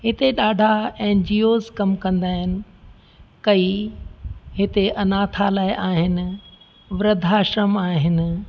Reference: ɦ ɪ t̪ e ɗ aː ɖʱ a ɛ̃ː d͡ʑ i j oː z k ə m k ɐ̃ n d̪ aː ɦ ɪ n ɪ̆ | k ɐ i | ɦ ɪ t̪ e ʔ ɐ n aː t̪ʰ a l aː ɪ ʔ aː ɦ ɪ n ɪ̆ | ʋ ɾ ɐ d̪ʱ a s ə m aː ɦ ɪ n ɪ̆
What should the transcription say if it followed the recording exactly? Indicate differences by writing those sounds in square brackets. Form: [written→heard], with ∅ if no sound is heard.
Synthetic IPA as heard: ɦ ɪ t̪ e ɗ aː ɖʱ a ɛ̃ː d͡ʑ i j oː z k [ə→ɐ] m k ɐ̃ n d̪ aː ɦ ɪ n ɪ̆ | k ɐ i | ɦ ɪ t̪ e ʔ ɐ n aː t̪ʰ a l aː ɪ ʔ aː ɦ ɪ n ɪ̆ | ʋ ɾ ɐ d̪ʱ a [s→ʃ] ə m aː ɦ ɪ n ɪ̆